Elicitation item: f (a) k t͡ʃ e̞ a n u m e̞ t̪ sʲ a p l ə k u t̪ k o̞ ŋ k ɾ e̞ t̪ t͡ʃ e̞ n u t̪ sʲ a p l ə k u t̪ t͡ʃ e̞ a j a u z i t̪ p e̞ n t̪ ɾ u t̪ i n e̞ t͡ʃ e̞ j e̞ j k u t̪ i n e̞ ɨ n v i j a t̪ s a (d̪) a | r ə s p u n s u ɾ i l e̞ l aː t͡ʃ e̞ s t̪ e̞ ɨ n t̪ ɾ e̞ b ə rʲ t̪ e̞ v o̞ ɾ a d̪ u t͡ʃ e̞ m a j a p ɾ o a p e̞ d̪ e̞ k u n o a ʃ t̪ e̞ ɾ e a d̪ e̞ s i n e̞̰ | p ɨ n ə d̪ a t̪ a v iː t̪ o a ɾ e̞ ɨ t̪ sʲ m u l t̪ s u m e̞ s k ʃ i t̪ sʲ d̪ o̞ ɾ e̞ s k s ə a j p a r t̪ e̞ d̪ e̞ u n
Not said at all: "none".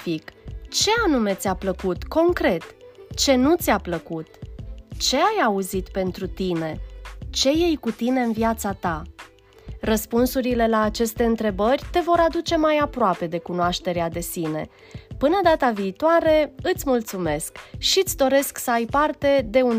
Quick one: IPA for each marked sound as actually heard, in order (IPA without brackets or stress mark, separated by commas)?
i, t̪